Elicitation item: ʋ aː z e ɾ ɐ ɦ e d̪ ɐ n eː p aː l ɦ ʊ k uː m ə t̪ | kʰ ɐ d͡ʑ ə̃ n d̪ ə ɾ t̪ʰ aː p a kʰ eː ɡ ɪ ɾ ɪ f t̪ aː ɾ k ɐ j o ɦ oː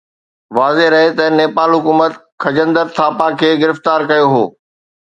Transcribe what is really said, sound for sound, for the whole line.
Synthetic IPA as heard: ʋ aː z e ɾ ɐ ɦ e t̪ ɐ n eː p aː l ɦ ʊ k uː m ə t̪ | kʰ ɐ d͡ʑ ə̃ n d̪ ə ɾ t̪ʰ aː p a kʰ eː ɡ ɪ ɾ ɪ f t̪ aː ɾ k ɐ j o ɦ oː

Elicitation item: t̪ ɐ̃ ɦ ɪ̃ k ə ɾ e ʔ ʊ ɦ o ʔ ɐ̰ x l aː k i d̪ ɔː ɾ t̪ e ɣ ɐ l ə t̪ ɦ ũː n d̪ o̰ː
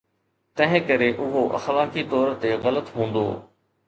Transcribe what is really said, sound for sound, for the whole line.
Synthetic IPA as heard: t̪ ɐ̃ ɦ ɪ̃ k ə ɾ e ʔ ʊ ɦ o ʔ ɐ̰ x l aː k i t̪ ɔː ɾ t̪ e ɣ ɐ l ə t̪ ɦ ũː n d̪ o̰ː

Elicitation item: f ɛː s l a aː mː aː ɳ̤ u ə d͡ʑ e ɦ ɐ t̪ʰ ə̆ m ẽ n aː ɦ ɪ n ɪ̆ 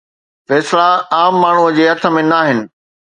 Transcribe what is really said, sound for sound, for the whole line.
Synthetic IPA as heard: f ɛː s l a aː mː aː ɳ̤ u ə d͡ʑ e ɦ ɐ t̪ʰ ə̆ m ẽ n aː ɦ ɪ n ɪ̆

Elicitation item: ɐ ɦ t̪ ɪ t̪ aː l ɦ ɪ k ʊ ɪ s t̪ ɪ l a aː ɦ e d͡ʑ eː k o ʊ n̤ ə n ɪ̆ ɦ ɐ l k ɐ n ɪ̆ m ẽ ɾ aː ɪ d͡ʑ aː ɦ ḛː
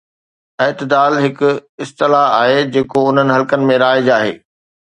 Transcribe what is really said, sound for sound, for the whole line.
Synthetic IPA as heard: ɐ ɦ t̪ ɪ d̪ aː l ɦ ɪ k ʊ ɪ s t̪ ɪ l a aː ɦ e d͡ʑ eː k o ʊ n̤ ə n ɪ̆ ɦ ɐ l k ə n ɪ̆ m ẽ ɾ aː ɪ d͡ʑ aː ɦ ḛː

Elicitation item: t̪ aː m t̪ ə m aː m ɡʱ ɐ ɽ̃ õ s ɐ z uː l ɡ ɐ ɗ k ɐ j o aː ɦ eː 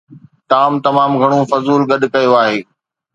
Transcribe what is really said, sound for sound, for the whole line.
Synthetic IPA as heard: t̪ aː m t̪ ɐ m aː m ɡʱ ɐ ɽ̃ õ f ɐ z uː l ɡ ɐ ɗ k ɐ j o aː ɦ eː

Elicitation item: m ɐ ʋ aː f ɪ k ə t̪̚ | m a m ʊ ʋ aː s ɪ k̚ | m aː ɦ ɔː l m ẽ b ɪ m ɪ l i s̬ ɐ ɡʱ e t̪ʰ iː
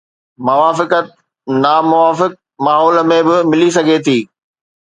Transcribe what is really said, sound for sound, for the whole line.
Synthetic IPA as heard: m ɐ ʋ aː f ɪ k ə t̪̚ | n a m ʊ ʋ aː f ɪ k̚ | m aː ɦ ɔː l m ẽ b ɪ m ɪ l i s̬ ɐ ɡʱ e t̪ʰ iː

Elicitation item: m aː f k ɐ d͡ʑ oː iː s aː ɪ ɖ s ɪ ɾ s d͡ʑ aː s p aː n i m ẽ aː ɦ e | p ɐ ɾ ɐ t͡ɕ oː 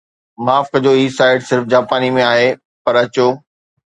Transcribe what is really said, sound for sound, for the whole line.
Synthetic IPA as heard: m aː f k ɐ d͡ʑ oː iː s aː ɪ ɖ s ɪ ɾ f d͡ʑ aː p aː n i m ẽ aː ɦ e | p ɐ ɾ ɐ t͡ɕ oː

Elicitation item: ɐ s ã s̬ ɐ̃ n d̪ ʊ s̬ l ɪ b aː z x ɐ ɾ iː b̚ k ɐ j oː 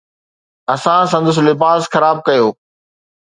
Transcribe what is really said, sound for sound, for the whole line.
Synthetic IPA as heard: ɐ s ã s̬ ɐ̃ n d̪ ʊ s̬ l ɪ b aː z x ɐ ɾ aː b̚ k ɐ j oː

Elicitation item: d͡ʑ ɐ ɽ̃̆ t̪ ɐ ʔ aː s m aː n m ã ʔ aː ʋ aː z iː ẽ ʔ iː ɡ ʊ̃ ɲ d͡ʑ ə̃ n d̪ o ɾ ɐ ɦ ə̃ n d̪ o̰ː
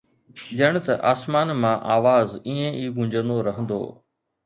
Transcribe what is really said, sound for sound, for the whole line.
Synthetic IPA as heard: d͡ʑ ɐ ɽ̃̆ t̪ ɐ ʔ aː s m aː n m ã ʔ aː ʋ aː z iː ẽ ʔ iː ɡ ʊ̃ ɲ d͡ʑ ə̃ n d̪ o ɾ ɐ ɦ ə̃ n d̪ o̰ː

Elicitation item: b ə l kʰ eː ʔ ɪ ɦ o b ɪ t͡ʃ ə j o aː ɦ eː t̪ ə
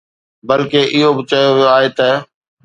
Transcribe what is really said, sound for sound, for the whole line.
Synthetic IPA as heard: b ə l k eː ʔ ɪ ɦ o b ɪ t͡ʃ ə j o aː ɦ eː t̪ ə

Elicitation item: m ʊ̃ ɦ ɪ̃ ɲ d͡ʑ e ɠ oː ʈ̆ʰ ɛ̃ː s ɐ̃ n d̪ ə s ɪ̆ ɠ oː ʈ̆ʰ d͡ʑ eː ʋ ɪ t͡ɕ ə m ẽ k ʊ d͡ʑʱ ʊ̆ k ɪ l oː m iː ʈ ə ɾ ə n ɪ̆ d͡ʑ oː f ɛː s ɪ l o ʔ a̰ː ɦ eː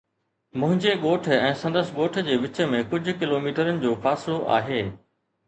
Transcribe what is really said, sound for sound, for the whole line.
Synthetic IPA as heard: m ʊ̃ ɦ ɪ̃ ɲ d͡ʑ e ɠ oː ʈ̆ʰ ɛ̃ː s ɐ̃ n d̪ ə s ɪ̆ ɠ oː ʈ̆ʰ d͡ʑ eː ʋ ɪ t͡ɕ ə m ẽ k ʊ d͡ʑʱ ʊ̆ k ɪ l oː m iː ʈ ə ɾ ə n ɪ̆ d͡ʑ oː f aː s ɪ l o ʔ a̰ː ɦ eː

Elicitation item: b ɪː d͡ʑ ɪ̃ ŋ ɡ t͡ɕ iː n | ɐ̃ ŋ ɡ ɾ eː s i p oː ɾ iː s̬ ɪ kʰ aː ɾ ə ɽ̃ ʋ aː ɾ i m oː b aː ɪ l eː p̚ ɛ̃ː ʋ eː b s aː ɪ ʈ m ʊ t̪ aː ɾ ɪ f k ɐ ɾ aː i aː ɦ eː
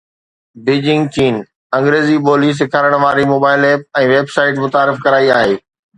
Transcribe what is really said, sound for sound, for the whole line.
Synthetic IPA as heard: b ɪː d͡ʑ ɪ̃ ŋ ɡ t͡ɕ iː n | ɐ̃ ŋ ɡ ɾ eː z i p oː l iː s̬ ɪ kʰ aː ɾ ə ɽ̃ ʋ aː ɾ i m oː b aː ɪ l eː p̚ ɛ̃ː ʋ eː b s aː ɪ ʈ m ʊ t̪ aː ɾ ɪ f k ɐ ɾ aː i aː ɦ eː

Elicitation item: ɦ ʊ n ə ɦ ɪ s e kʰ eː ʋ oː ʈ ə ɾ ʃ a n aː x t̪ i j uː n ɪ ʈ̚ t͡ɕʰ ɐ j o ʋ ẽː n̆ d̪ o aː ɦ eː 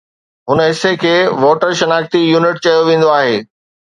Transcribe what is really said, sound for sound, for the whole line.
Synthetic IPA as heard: ɦ ʊ n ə ɦ ɪ s e kʰ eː ʋ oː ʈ ə ɾ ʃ ɐ n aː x t̪ i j uː n ɪ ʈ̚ t͡ɕ ɐ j o ʋ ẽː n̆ d̪ o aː ɦ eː

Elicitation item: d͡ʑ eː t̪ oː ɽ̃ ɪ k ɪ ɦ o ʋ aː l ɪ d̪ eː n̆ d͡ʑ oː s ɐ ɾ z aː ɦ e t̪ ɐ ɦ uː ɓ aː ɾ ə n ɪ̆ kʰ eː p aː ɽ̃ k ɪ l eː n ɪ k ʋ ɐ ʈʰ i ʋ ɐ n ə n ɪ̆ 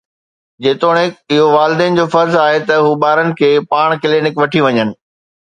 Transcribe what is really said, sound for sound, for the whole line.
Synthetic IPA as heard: d͡ʑ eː t̪ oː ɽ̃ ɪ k ɪ ɦ o ʋ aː l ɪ d̪ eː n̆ d͡ʑ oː f ɐ ɾ z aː ɦ e t̪ ɐ ɦ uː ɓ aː ɾ ə n ɪ̆ kʰ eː p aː ɽ̃ k ɪ l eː n ɪ k ʋ ɐ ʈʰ i ʋ ɐ ɲ ə n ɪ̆

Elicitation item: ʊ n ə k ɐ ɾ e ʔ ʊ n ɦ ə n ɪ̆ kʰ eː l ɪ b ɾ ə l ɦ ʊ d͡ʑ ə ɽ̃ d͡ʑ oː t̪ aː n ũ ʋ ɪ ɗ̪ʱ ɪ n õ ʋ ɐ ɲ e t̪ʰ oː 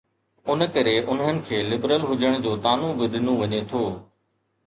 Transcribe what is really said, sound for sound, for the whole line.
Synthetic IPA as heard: ʊ n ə k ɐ ɾ e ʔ ʊ n ɦ ə n ɪ̆ kʰ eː l ɪ b ɾ ə l ɦ ʊ d͡ʑ ə ɽ̃ d͡ʑ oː t̪ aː n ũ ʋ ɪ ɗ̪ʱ ɪ n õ ʋ ɐ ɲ e t̪ʰ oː

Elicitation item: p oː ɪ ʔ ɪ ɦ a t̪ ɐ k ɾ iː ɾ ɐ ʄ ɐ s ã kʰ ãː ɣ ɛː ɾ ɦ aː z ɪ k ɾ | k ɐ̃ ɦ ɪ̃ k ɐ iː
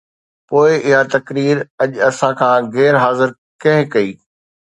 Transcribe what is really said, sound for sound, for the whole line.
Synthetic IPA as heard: p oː ɪ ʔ ɪ ɦ a t̪ ɐ k ɾ iː ɾ ɐ ʄ ɐ s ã kʰ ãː ɣ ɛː ɾ ɦ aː z ɪ ɾ | k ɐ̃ ɦ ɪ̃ k ɐ iː

